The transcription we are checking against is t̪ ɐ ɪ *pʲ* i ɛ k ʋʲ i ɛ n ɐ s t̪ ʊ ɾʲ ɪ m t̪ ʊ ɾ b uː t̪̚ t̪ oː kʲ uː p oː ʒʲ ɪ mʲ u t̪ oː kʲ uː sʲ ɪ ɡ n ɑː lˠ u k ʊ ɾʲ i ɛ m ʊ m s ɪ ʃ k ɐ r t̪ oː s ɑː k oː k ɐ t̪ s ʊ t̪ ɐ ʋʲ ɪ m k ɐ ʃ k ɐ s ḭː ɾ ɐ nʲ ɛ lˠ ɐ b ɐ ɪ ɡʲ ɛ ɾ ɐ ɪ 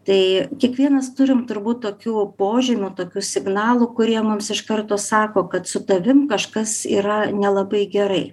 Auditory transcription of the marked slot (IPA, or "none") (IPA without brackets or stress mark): kʲ